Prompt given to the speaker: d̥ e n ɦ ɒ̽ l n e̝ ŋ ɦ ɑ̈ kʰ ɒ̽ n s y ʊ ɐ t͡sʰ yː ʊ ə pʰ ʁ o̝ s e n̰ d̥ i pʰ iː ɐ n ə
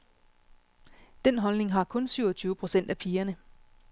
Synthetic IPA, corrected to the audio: d̥ e n ɦ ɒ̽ l n e̝ ŋ ɦ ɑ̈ kʰ ɔ̽ n s y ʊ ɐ t͡sʰ yː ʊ ə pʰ ʁ o̝ s e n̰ d̥ æ pʰ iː ɐ n ə